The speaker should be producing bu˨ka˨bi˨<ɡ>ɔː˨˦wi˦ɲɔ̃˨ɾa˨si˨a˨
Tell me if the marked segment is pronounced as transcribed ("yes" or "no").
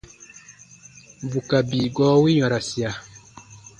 yes